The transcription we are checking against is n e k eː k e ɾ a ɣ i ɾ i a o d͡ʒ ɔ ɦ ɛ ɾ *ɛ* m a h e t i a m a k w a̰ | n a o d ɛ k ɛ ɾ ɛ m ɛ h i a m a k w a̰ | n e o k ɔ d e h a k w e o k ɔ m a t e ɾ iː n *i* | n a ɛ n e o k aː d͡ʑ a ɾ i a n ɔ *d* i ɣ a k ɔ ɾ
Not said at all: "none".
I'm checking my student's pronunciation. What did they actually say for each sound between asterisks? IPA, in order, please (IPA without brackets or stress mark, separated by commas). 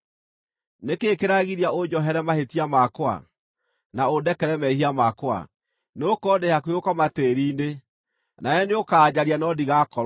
ɛ, e, d